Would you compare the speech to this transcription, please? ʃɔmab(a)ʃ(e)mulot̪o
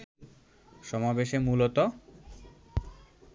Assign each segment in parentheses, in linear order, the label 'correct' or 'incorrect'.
incorrect: e, correct

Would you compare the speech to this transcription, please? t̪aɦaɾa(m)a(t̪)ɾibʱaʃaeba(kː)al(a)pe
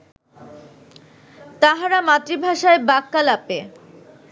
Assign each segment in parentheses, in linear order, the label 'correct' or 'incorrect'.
correct, correct, correct, correct

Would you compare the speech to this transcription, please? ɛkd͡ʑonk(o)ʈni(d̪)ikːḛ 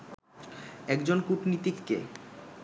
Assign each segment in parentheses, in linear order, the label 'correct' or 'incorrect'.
incorrect: u, incorrect: t̪

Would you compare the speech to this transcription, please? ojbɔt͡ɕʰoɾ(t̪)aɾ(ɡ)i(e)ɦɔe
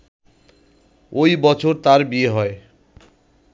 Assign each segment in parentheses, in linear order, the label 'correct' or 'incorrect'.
correct, incorrect: b, correct

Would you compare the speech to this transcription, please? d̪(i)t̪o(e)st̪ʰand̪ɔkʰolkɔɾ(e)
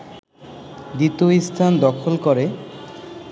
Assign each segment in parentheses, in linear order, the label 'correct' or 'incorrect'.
correct, incorrect: i, correct

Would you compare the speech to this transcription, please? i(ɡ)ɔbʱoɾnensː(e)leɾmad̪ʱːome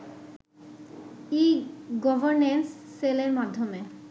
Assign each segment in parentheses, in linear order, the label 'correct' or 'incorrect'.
correct, correct

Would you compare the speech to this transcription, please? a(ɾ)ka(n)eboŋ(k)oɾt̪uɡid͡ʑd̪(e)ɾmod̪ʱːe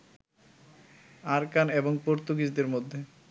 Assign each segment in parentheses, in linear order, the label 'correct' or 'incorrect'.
correct, correct, incorrect: p, correct

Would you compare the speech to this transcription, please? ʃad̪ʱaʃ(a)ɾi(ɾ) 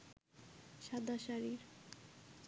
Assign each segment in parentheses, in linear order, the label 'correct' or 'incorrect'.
correct, correct

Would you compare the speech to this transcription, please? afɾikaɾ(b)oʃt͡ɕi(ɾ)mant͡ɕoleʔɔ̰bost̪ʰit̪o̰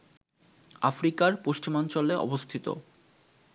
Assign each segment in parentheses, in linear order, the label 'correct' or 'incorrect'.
incorrect: p, incorrect: none

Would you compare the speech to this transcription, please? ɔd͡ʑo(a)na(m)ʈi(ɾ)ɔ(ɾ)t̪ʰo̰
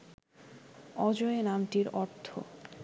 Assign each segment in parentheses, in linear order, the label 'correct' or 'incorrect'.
incorrect: e, correct, correct, correct

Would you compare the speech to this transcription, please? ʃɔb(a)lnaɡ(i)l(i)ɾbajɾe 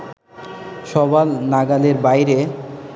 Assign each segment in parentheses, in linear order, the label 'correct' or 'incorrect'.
correct, incorrect: a, incorrect: e

